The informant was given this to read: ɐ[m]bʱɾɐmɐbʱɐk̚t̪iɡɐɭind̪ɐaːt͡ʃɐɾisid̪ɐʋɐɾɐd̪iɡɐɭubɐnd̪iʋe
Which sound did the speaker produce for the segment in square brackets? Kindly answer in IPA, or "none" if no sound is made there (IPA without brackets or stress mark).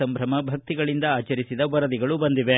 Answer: m